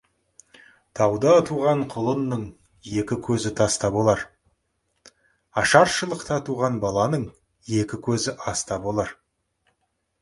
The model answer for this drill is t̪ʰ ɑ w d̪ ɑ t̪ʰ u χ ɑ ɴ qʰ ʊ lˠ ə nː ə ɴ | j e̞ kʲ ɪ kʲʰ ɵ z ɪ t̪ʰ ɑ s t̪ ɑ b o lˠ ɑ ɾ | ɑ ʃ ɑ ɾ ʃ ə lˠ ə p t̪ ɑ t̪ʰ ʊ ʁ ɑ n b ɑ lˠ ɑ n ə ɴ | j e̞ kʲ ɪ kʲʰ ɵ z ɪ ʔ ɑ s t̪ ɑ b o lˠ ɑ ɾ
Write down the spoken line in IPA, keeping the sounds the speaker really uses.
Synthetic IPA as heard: t̪ʰ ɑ w d̪ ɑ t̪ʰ u ʁ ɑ ɴ qʰ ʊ lˠ ə nː ə ɴ | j e̞ kʲ ɪ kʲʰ ɵ z ɪ t̪ʰ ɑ s t̪ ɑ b o lˠ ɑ ɾ | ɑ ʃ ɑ ɾ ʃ ə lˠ ə q t̪ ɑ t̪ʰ u ʁ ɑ n b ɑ lˠ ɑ n ə ɴ | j e̞ kʲ ɪ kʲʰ ɵ z ɪ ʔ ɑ s t̪ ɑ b o lˠ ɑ ɾ